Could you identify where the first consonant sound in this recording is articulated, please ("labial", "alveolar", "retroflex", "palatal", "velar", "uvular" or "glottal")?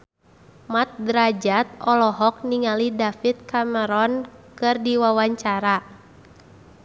labial